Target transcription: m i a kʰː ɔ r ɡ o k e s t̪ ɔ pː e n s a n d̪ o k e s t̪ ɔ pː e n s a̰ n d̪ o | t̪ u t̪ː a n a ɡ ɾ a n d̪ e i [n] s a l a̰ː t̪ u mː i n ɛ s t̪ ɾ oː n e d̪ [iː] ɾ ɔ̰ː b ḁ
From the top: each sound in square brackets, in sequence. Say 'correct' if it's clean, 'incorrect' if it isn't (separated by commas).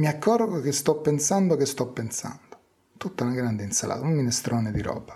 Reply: correct, incorrect